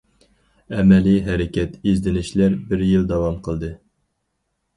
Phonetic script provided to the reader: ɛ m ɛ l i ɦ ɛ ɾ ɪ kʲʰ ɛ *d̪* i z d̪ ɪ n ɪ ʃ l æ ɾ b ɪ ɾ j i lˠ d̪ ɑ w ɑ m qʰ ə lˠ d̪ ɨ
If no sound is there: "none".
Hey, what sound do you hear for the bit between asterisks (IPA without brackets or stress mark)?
t̪